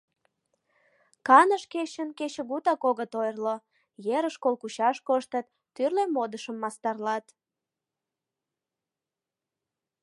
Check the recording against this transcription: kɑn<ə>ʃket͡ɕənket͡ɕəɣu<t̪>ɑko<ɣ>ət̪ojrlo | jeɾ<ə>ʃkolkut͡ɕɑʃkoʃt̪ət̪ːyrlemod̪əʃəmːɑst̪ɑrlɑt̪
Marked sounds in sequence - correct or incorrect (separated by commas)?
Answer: correct, correct, correct, correct